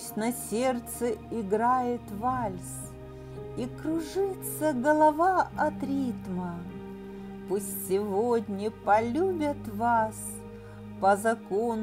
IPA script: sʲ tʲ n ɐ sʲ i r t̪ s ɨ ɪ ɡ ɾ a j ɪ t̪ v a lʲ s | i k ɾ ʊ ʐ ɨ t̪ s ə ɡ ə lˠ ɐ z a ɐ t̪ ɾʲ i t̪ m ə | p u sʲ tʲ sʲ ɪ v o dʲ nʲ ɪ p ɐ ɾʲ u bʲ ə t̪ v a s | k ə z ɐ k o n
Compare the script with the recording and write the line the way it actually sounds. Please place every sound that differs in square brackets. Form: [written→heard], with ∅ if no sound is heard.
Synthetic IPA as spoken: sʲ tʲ n ɐ sʲ [i→e] r t̪ s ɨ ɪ ɡ ɾ a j ɪ t̪ v a lʲ s | i k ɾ ʊ ʐ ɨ t̪ s ə ɡ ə lˠ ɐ [z→v] a ɐ t̪ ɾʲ i t̪ m ə | p u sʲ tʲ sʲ ɪ v o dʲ nʲ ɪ p ɐ [ɾʲ→lʲ] u bʲ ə t̪ v a s | [k→p] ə z ɐ k o n